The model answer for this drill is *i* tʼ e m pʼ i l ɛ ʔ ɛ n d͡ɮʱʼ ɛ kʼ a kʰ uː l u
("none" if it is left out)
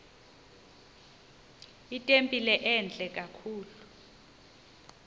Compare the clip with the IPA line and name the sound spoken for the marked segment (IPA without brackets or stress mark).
i